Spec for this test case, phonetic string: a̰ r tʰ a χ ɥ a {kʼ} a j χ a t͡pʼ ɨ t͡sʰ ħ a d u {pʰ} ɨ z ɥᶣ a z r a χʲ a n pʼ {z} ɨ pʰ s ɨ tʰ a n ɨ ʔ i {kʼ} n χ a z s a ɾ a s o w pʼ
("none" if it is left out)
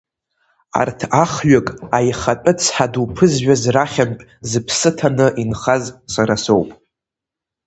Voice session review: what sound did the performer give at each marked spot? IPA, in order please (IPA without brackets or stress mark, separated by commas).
kʼ, pʰ, z, none